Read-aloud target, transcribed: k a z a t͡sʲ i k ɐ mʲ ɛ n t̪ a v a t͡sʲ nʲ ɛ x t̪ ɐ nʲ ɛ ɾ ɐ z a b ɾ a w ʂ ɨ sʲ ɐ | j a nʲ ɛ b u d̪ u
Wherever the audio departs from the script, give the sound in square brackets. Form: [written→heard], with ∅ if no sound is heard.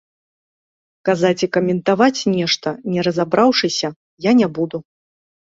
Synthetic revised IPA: k a z a t͡sʲ i k ɐ mʲ ɛ n t̪ a v a t͡sʲ nʲ ɛ [x→ʂ] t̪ ɐ nʲ ɛ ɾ ɐ z a b ɾ a w ʂ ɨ sʲ ɐ | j a nʲ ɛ b u d̪ u